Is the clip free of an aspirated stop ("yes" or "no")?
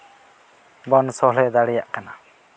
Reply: yes